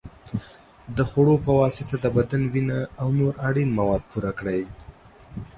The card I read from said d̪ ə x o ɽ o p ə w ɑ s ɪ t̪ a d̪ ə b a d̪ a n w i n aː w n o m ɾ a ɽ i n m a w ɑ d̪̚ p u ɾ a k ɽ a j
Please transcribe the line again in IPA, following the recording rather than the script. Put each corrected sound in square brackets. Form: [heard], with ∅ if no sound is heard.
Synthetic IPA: d̪ ə x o ɽ o p ə w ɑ s ɪ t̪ a d̪ ə b a d̪ a n w i n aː w n o [∅] ɾ a ɽ i n m a w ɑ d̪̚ p u ɾ a k ɽ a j